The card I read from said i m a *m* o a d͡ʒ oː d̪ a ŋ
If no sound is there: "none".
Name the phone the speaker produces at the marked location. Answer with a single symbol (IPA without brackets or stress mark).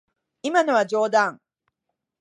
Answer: n